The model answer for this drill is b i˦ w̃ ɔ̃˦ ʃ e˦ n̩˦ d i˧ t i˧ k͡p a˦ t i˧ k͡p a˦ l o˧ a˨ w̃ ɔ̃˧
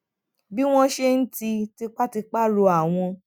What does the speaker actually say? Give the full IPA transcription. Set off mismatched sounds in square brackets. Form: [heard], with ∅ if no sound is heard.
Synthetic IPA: b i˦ w̃ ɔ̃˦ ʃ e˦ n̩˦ [t] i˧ t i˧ k͡p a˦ t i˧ k͡p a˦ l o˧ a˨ w̃ ɔ̃˧